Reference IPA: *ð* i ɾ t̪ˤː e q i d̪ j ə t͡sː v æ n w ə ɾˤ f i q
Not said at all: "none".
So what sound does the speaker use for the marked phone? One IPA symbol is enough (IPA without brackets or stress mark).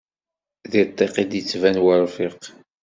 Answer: ð